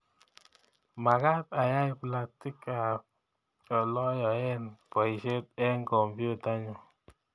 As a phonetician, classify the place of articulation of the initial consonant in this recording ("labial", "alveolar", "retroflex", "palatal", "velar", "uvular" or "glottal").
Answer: labial